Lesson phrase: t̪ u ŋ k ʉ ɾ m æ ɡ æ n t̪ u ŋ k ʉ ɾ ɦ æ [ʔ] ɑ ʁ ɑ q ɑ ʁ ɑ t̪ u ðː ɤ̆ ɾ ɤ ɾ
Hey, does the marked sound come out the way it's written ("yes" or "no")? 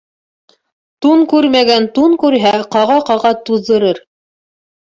no